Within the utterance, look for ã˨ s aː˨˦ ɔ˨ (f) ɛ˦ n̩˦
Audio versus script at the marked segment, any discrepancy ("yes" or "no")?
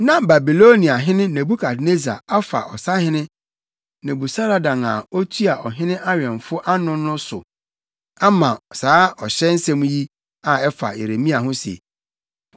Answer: yes